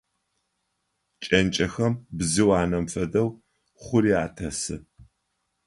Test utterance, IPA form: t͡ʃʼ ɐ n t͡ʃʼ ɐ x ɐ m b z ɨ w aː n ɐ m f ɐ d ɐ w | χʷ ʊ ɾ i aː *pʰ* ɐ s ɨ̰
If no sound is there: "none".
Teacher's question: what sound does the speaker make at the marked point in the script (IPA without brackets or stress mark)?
tʰ